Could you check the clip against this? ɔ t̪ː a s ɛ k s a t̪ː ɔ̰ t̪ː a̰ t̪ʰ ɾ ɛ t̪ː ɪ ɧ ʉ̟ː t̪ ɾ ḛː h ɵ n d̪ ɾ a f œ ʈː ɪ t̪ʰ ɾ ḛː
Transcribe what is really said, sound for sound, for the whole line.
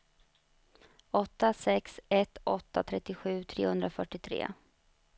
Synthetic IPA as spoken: ɔ t̪ː a s ɛ k s ɛ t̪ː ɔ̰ t̪ː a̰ t̪ʰ ɾ ɛ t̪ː ɪ ɧ ʉ̟ː t̪ʰ ɾ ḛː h ɵ n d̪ ɾ a f œ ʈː ɪ t̪ʰ ɾ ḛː